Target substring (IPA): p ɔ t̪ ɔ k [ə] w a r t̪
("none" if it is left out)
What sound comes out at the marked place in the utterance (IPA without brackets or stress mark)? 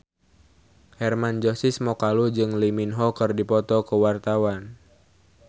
ə